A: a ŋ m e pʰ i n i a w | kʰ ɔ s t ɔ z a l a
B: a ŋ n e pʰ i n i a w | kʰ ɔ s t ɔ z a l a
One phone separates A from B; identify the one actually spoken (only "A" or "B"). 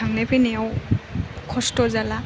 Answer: B